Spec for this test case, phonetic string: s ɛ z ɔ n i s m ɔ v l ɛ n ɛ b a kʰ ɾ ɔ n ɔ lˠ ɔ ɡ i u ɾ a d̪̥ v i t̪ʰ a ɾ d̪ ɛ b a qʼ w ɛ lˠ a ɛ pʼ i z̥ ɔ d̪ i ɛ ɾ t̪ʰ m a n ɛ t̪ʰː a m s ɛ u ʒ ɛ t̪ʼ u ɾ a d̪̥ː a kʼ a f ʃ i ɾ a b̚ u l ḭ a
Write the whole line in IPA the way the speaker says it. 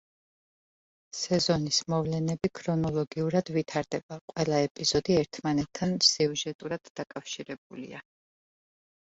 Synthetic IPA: s ɛ z ɔ n i s m ɔ v l ɛ n ɛ b i kʰ ɾ ɔ n ɔ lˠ ɔ ɡ i u ɾ a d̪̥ v i t̪ʰ a ɾ d̪ ɛ b a qʼ w ɛ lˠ a ɛ pʼ i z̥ ɔ d̪ i ɛ ɾ t̪ʰ m a n ɛ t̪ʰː a n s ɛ u ʒ ɛ t̪ʼ u ɾ a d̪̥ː a kʼ a f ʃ i ɾ ɛ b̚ u l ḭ a